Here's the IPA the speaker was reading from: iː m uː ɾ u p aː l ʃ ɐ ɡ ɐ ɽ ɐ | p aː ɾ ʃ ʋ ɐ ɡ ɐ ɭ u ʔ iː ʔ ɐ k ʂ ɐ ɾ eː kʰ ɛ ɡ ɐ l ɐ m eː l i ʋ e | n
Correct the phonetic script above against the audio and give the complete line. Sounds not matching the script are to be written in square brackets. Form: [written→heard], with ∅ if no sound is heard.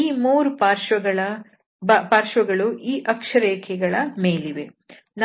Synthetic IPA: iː m uː ɾ u p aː [l→ɾ] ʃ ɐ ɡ ɐ [ɽ→ɭ] ɐ | p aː ɾ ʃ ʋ ɐ ɡ ɐ ɭ u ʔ iː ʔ ɐ k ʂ ɐ ɾ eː kʰ ɛ ɡ ɐ [l→ɭ] ɐ m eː l i ʋ e | n